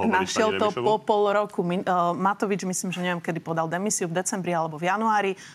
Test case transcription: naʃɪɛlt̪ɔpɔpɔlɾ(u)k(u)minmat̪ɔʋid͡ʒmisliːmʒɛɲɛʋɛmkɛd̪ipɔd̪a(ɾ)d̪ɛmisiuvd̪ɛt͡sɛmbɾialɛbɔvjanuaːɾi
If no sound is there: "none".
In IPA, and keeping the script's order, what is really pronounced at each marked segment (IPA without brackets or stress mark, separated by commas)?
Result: ɔ, u, l